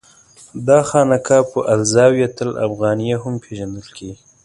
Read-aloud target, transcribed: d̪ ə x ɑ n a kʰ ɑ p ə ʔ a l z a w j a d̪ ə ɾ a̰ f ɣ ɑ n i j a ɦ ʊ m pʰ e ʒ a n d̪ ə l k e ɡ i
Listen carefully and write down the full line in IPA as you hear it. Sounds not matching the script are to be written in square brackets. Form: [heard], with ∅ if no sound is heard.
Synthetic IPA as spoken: d̪ [ɑ] x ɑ n a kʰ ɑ p ə ʔ a l z [ɑ] w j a [t̪] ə [l] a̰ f ɣ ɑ n i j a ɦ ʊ m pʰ e ʒ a n d̪ ə l k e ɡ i